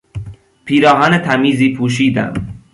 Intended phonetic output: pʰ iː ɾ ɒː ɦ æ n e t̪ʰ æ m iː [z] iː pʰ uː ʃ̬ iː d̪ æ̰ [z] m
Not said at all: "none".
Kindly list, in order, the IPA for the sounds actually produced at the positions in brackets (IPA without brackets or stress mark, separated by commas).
z, none